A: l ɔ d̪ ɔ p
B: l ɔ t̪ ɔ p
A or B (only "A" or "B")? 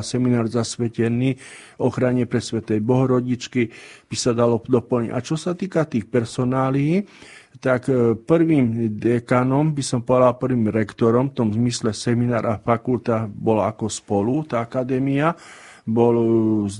A